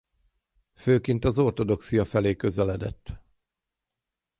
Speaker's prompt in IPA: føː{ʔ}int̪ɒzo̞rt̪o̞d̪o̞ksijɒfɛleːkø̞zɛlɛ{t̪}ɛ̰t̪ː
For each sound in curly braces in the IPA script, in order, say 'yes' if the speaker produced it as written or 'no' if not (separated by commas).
no, no